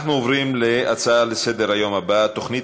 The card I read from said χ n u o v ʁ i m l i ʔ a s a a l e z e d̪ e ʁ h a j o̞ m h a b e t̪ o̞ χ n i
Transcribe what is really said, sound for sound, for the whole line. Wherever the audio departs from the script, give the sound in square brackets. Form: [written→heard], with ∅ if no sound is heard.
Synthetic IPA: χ n u o v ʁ i m l [i→e] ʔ a [s→t͡s] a a l e [z→s] e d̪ e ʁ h a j o̞ m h a b [e→a] t̪ o̞ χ n i